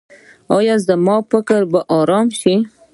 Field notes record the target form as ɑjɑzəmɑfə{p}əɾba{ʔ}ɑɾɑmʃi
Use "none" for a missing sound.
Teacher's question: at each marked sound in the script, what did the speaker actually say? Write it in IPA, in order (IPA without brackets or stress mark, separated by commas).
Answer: k, ʔ